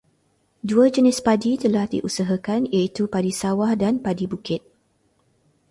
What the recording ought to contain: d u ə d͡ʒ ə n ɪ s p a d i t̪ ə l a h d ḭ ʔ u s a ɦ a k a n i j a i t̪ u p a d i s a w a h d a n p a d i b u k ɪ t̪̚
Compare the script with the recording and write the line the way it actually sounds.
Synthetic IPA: d u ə d͡ʒ ə n ɪ s p a d i t̪ ə l a h d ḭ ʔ u s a ɦ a k a n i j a i t̪ u p a d i s a w a h d a n p a d i b u k ɪ t̪̚

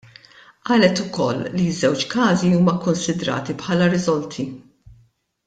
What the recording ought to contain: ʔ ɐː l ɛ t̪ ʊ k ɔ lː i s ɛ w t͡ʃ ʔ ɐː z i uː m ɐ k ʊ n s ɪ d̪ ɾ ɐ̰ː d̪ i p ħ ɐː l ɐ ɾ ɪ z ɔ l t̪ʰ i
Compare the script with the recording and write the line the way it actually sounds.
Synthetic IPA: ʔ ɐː l ɛ t̪ ʊ k ɔ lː i z ɛ w t͡ʃ k ɐː z i uː m ɐ k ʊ n s ɪ d̪ ɾ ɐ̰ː t̪ i p ħ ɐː l ɐ ɾ ɪ z ɔ l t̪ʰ i

